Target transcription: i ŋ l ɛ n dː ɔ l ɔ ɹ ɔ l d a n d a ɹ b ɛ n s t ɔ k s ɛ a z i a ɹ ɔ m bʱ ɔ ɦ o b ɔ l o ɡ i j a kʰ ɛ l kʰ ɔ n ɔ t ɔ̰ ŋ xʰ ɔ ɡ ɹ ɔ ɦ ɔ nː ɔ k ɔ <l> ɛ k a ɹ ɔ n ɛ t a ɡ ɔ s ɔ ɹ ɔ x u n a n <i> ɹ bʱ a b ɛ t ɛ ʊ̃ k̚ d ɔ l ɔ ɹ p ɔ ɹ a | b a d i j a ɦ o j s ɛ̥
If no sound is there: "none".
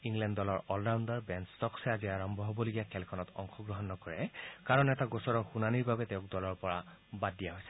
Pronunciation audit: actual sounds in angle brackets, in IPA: ɹ, i

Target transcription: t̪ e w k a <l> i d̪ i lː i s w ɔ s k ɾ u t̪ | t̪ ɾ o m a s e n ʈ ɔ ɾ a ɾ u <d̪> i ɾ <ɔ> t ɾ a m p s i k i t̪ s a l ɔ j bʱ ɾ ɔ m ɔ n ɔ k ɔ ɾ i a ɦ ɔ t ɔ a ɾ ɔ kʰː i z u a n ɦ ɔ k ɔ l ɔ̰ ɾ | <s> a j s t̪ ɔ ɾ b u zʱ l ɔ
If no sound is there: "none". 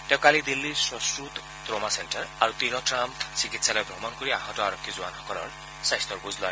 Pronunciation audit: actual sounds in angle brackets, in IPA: l, t̪, ɔ, s

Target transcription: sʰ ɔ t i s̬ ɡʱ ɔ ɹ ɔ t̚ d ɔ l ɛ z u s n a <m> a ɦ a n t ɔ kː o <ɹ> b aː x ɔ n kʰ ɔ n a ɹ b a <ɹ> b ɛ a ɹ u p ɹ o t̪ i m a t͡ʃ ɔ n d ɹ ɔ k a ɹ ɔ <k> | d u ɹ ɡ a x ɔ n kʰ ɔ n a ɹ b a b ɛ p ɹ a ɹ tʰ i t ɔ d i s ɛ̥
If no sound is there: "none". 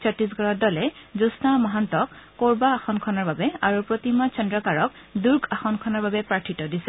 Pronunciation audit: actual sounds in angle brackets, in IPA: m, ɹ, none, k

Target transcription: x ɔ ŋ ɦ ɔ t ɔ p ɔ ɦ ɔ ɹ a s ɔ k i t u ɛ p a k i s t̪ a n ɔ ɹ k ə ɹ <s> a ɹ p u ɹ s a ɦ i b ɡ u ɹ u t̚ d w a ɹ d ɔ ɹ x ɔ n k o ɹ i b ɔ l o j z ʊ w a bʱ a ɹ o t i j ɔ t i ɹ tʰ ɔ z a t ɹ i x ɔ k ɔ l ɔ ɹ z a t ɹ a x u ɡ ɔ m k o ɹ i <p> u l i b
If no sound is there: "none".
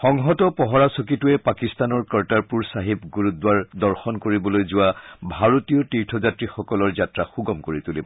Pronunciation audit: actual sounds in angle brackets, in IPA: t, t

